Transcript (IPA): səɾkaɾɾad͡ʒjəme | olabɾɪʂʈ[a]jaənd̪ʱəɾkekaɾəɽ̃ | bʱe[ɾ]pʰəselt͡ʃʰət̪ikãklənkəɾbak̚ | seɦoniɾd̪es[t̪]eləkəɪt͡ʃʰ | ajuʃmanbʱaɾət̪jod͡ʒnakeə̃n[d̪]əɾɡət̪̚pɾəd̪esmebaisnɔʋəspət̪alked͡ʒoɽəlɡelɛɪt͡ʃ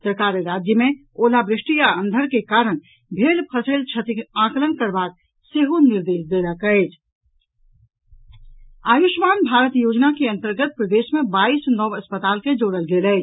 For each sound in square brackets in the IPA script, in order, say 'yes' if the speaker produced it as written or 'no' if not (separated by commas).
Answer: no, no, no, no